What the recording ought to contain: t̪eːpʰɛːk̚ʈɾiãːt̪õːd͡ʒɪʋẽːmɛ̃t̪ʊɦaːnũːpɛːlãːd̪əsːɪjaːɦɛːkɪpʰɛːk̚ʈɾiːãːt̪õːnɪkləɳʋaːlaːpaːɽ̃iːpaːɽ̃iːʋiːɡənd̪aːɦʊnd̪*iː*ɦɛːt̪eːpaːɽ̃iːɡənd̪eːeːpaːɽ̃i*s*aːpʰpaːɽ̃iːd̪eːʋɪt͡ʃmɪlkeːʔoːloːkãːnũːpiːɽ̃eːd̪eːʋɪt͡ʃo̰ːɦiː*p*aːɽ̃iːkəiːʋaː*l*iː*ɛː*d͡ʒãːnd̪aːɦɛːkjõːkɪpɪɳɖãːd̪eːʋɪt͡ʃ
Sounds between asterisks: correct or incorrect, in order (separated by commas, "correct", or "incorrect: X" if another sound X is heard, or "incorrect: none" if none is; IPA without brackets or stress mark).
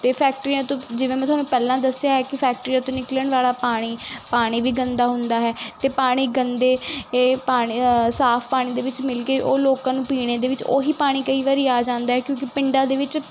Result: incorrect: aː, correct, correct, incorrect: ɾ, incorrect: aː